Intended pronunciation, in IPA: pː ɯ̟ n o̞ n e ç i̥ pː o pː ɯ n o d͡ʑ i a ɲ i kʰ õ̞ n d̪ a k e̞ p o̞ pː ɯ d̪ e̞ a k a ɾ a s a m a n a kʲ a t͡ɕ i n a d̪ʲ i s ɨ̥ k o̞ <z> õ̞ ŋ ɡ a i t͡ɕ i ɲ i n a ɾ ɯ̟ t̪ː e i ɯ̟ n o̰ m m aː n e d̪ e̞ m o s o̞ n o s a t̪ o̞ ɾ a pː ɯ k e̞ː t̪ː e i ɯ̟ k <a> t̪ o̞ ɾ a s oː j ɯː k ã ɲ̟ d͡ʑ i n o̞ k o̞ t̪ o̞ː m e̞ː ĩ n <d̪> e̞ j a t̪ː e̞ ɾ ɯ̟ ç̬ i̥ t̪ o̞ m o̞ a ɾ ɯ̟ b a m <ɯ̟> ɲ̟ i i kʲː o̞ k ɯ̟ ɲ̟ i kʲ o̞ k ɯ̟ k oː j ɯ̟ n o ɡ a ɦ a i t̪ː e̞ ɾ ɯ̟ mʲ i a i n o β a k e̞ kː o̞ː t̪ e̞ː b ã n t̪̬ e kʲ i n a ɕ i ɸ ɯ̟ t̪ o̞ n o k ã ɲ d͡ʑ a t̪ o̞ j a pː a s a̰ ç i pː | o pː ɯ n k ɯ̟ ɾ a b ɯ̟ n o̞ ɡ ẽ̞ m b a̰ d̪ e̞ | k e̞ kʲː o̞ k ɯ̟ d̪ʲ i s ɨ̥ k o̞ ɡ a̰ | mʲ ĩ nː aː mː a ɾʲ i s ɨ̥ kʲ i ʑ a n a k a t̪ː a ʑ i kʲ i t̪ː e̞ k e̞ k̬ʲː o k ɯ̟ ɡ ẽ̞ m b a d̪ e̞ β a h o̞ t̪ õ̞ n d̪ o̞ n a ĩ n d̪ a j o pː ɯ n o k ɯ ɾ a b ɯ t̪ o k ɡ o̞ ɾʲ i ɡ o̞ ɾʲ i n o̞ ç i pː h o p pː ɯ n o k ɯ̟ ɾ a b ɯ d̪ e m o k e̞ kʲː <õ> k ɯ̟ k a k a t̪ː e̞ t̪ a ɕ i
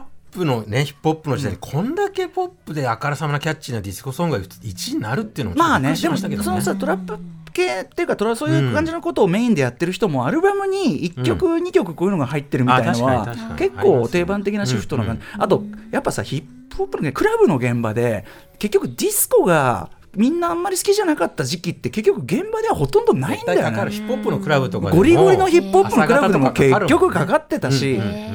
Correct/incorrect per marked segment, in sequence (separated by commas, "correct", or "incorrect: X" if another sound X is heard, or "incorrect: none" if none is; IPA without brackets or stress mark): incorrect: s, correct, correct, correct, incorrect: o